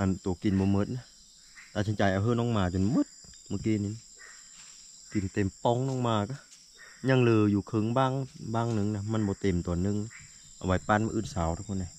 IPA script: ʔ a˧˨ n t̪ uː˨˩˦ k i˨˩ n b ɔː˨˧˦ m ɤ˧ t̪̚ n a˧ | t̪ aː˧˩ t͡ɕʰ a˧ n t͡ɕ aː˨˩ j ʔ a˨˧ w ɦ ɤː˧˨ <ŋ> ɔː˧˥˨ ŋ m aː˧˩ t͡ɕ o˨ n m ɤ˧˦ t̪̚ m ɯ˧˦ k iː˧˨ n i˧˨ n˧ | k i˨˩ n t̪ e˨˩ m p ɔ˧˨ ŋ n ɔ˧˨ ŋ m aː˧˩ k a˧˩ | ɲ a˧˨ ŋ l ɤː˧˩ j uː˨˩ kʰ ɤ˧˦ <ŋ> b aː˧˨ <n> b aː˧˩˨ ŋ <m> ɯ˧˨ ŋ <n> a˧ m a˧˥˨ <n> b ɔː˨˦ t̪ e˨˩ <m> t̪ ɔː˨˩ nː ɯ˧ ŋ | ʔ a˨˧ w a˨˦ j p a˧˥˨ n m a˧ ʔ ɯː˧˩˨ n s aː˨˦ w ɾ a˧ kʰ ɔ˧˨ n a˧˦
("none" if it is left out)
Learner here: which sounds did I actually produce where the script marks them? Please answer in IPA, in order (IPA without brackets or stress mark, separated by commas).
n, ŋ, ŋ, n, n, n, m